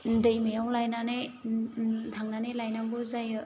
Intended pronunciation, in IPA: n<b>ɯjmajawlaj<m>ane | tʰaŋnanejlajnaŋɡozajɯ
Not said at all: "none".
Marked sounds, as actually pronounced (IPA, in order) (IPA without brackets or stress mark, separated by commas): d, n